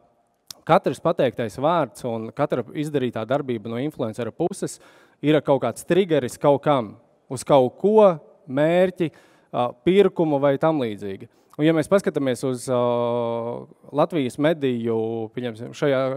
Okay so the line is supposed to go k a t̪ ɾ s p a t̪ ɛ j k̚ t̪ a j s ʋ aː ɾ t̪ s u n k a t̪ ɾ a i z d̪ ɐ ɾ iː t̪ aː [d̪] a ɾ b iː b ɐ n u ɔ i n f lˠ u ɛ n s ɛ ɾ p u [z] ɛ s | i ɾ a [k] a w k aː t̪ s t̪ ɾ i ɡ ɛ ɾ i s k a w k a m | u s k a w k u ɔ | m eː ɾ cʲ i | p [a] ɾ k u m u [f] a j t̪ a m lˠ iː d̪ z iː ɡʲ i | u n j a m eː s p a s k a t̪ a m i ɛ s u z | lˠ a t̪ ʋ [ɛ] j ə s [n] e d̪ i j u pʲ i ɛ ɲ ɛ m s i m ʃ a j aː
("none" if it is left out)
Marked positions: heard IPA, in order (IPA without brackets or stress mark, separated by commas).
d̪, s, k, i, v, i, m